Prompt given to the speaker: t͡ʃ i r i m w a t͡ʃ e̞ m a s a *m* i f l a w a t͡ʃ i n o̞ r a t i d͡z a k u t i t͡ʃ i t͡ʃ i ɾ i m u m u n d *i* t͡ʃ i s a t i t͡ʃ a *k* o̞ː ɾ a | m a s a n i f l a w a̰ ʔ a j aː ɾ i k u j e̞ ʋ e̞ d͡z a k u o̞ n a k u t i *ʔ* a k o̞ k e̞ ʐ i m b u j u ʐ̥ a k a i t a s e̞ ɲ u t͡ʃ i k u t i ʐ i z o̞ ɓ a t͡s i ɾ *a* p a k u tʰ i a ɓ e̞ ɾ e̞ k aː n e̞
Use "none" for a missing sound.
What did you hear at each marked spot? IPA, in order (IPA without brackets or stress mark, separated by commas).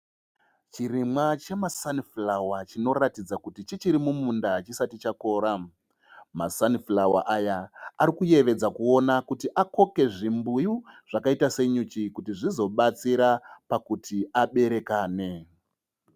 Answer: n, a, k, ʔ, a